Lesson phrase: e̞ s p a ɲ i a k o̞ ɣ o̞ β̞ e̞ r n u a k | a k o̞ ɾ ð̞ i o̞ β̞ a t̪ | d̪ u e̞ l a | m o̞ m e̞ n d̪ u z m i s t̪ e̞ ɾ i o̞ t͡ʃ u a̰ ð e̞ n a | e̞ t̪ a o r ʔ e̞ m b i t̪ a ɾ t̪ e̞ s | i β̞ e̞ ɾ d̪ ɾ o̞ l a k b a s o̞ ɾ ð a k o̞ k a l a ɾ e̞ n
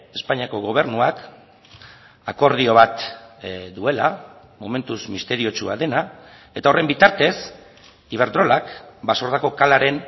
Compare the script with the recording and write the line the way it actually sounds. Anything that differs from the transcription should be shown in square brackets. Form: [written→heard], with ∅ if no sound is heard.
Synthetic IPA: e̞ s p a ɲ i a k o̞ ɣ o̞ β̞ e̞ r n u a k | a k o̞ ɾ ð̞ i o̞ β̞ a t̪ | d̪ u e̞ l a | m o̞ m e̞ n [d̪→t̪] u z m i s t̪ e̞ ɾ i o̞ t͡ʃ u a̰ ð e̞ n a | e̞ t̪ a o r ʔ e̞ m b i t̪ a ɾ t̪ e̞ s | i β̞ e̞ ɾ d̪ ɾ o̞ l a k b a s o̞ ɾ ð a k o̞ k a l a ɾ e̞ n